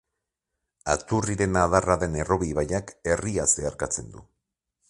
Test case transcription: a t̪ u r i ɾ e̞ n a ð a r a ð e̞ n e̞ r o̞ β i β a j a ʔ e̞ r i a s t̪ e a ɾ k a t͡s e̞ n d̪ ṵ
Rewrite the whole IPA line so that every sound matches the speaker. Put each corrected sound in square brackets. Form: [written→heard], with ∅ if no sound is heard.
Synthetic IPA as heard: a t̪ u r i ɾ e̞ n a ð a r a ð e̞ n e̞ r o̞ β i β a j a [ʔ→k] e̞ r i a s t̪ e a ɾ k a t͡s e̞ n d̪ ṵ